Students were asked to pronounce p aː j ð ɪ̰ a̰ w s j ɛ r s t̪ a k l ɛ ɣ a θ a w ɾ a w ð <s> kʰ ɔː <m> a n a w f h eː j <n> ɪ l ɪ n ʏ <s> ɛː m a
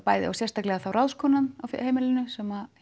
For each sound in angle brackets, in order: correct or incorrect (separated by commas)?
correct, incorrect, incorrect, correct